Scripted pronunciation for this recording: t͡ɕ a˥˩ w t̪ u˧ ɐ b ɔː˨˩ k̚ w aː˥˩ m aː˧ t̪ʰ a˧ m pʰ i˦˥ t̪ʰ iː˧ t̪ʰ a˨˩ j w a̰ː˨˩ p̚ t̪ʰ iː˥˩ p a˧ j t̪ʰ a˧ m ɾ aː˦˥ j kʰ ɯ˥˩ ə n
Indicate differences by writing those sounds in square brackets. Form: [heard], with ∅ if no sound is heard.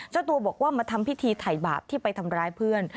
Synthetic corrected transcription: t͡ɕ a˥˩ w t̪ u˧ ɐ b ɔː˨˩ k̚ w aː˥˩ m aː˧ t̪ʰ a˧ m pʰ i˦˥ t̪ʰ iː˧ t̪ʰ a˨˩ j [b] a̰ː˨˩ p̚ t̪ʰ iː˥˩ p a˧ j t̪ʰ a˧ m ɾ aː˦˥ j [pʰ] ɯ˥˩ ə n